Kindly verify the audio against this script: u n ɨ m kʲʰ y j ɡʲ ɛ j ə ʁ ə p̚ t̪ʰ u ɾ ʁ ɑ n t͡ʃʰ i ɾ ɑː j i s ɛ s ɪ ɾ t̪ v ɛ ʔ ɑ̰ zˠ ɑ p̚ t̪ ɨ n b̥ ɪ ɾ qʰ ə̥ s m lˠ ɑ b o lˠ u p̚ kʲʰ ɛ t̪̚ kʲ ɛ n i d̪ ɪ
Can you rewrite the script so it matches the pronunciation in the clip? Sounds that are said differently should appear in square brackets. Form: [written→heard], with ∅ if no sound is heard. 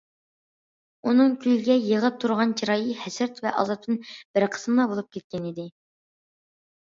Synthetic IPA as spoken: u n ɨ [m→ŋ] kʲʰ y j ɡʲ ɛ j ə ʁ ə p̚ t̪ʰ u ɾ ʁ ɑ n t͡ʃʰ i ɾ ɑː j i [s→h] ɛ s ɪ ɾ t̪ v ɛ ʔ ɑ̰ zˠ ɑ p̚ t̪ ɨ n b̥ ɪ ɾ qʰ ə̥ s m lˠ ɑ b o lˠ u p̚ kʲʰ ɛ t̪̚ kʲ ɛ n i d̪ ɪ